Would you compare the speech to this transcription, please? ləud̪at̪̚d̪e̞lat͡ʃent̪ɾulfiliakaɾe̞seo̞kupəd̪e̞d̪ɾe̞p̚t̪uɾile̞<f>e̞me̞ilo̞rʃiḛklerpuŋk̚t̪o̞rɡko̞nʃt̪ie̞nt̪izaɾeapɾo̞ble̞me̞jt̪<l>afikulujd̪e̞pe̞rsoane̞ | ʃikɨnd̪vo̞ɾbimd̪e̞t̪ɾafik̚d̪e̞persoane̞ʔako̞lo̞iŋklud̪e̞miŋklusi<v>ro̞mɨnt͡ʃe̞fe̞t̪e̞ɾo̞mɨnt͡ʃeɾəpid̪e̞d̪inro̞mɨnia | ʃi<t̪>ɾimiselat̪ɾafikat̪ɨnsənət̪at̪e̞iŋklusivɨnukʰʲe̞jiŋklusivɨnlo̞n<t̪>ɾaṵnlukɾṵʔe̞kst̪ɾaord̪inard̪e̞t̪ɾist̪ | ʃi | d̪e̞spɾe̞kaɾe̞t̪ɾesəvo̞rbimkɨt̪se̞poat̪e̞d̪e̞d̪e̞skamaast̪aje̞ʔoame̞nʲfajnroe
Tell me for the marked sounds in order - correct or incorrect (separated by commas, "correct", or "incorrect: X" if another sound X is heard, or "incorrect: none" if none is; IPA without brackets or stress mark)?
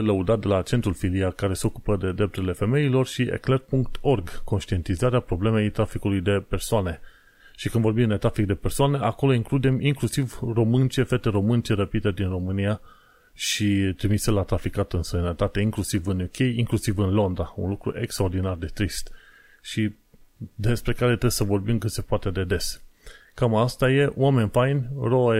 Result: correct, incorrect: ɾ, correct, correct, incorrect: d̪